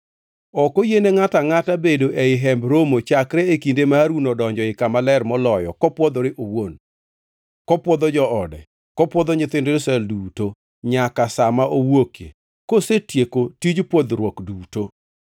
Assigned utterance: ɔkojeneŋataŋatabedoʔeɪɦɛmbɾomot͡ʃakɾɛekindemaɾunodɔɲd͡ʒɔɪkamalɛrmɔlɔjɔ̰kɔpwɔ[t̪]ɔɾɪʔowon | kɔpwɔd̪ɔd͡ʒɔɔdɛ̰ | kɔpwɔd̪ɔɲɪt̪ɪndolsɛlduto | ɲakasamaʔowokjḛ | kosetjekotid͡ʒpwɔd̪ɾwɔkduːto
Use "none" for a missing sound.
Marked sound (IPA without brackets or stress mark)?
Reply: d̪